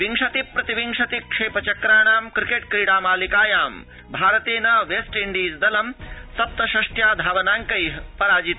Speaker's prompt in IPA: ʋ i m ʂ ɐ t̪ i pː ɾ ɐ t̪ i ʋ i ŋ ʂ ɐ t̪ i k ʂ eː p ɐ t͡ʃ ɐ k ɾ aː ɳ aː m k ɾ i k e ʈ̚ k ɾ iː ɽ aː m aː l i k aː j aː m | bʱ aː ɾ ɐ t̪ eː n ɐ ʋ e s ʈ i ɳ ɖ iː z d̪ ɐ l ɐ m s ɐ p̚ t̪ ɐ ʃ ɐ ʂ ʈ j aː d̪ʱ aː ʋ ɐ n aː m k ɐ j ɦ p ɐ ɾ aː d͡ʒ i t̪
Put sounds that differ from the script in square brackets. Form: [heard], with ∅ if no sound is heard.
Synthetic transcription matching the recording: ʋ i [ŋ] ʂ ɐ t̪ i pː ɾ ɐ t̪ i ʋ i ŋ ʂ ɐ t̪ i k ʂ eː p ɐ t͡ʃ ɐ k ɾ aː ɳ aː m k ɾ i k e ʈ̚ k ɾ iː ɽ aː m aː l i k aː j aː m | bʱ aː ɾ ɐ t̪ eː n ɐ ʋ e s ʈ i ɳ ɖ iː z d̪ ɐ l ɐ m s ɐ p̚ t̪ ɐ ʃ ɐ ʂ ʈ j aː d̪ʱ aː ʋ ɐ n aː [ŋ] k ɐ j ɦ p ɐ ɾ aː d͡ʒ i t̪